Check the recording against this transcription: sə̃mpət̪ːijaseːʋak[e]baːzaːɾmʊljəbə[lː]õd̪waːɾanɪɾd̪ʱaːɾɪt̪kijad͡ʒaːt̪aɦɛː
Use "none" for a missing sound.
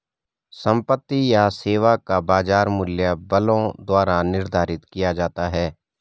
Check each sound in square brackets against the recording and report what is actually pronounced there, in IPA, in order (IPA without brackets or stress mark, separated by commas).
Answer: a, l